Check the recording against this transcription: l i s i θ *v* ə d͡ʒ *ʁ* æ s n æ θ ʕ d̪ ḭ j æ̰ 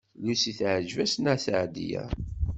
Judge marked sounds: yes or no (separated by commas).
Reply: no, no